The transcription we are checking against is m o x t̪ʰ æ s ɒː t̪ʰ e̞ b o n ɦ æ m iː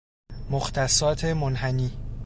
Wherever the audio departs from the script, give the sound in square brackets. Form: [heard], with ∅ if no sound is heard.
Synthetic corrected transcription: m o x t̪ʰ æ s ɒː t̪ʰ e̞ [m] o n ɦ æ [n] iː